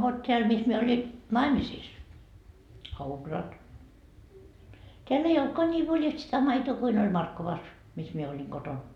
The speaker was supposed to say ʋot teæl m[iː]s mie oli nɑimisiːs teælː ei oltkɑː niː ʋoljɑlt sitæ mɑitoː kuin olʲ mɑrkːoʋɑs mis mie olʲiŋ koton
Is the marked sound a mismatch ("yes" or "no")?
yes